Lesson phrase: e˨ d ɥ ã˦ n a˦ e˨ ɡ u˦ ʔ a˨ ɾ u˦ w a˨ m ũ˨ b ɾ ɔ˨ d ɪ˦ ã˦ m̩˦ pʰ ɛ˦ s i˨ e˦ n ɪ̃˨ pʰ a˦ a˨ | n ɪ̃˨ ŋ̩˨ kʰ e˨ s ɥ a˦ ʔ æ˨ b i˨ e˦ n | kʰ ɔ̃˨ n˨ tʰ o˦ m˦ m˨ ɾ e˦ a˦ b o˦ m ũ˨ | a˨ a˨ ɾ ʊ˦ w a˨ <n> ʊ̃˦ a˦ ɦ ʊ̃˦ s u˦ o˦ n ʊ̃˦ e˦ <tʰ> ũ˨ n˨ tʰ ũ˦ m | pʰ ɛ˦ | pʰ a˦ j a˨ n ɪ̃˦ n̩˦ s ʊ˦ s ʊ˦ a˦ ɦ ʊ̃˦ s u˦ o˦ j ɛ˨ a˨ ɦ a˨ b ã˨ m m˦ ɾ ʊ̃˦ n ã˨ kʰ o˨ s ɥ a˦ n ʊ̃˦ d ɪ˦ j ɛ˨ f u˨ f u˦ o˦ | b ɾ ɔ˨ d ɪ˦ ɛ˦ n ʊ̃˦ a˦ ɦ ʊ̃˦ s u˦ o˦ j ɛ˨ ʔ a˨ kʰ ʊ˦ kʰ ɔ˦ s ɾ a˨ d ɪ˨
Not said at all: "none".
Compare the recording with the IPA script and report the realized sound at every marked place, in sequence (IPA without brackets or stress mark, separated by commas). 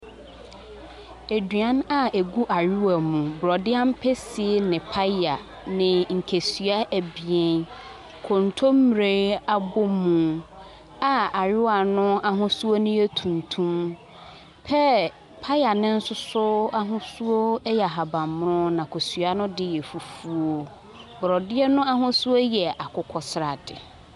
n, tʰ